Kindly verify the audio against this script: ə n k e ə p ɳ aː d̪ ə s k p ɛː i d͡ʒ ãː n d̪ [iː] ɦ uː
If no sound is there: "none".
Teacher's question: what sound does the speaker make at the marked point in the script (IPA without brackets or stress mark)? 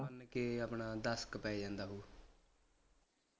aː